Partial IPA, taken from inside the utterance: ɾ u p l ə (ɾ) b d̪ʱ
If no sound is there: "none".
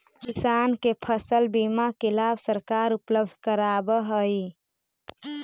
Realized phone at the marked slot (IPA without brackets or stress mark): none